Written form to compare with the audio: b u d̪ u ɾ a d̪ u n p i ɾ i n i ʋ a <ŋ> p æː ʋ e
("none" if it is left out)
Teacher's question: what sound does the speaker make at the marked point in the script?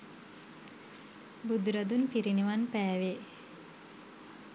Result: n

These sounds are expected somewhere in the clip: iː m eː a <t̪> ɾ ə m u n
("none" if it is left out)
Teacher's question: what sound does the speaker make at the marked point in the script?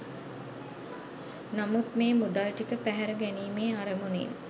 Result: none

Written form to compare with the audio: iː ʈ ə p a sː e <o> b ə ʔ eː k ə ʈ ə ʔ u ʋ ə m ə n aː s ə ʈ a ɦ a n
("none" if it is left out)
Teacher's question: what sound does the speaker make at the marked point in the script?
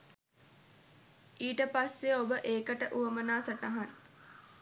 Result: o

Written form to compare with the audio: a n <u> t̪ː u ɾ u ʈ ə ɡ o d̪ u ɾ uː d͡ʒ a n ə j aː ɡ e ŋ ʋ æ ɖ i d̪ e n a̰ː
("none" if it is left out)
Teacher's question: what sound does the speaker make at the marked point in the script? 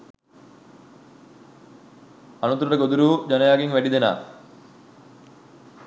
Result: u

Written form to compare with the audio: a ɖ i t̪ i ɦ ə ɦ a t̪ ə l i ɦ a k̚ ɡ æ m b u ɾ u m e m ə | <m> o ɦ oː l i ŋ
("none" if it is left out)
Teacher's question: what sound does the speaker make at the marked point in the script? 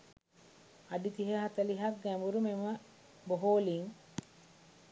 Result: b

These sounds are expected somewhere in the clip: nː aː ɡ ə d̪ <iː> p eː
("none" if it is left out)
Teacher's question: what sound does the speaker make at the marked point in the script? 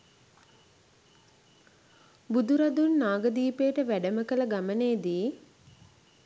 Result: iː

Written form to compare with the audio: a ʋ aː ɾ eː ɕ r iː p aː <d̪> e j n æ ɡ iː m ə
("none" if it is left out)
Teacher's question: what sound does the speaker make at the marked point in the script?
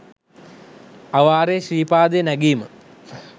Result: d̪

